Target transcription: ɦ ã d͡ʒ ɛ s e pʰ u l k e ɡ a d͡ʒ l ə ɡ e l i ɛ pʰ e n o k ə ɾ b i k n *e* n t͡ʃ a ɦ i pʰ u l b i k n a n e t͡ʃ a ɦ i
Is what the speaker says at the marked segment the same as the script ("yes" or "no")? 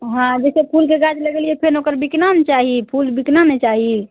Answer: no